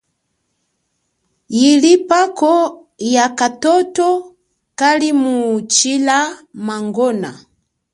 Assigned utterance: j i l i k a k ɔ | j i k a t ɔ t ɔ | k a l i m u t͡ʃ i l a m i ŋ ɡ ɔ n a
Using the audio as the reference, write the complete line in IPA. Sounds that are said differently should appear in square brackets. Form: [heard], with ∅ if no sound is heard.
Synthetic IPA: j i l i [p] a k ɔ | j [a] k a t ɔ t ɔ | k a l i m u t͡ʃ i l a m [a] ŋ ɡ ɔ n a